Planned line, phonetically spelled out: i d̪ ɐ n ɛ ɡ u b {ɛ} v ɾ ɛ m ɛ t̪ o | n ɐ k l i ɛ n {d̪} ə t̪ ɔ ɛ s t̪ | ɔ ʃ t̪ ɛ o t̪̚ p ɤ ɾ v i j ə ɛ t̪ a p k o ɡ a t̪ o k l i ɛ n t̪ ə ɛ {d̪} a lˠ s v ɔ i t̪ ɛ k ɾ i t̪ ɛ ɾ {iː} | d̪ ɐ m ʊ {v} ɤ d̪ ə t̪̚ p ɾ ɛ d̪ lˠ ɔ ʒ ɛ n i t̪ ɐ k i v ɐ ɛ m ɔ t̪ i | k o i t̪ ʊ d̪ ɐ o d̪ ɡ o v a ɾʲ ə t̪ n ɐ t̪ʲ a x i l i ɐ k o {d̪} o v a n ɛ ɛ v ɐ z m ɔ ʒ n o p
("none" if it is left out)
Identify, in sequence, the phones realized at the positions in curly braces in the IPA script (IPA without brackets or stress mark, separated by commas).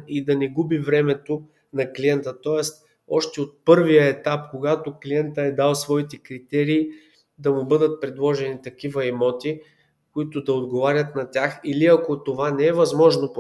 i, t̪, d̪, iː, b, t̪